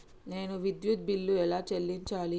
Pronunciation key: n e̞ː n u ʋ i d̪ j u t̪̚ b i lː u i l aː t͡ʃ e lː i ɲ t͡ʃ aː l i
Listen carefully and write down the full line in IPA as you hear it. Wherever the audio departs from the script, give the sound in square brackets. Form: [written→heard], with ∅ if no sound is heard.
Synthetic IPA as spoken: n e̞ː n u ʋ i d̪ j u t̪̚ b i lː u [i→ɛ] l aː t͡ʃ e lː i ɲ t͡ʃ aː l i